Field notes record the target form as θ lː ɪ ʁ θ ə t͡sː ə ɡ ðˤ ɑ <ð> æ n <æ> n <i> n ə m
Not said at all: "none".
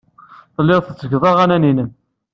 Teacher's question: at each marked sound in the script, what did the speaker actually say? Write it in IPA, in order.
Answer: ʁ, æ, i

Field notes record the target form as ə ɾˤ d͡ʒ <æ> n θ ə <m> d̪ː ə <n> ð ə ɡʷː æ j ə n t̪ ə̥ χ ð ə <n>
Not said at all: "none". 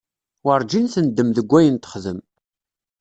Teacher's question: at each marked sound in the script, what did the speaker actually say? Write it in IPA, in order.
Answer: i, n, m, m

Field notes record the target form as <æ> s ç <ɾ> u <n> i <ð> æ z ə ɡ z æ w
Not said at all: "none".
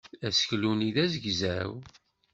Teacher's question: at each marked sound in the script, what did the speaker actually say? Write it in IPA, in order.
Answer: æ, l, n, ð

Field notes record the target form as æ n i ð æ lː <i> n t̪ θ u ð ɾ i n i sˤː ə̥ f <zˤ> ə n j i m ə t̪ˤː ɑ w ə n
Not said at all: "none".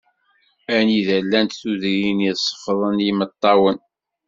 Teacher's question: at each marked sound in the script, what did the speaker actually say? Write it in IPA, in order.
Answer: æ, ðˤ

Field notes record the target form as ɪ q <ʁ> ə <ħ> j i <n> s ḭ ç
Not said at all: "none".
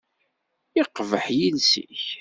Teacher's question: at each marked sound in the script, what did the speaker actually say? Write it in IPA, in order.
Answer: v, ħ, n

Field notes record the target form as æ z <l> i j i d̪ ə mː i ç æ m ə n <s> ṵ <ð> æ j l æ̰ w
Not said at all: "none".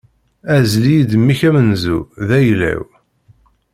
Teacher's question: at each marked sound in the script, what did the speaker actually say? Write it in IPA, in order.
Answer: l, z, ð

